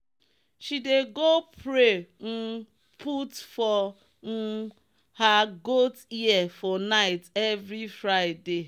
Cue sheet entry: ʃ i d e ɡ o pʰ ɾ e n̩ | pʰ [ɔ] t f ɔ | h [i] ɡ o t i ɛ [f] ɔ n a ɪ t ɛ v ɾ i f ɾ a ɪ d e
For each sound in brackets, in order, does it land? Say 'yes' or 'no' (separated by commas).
no, no, yes